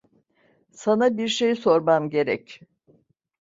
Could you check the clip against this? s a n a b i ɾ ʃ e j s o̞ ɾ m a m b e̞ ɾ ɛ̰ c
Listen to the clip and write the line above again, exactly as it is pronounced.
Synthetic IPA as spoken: s a n a b i ɾ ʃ e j s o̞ ɾ m a m ɟ e̞ ɾ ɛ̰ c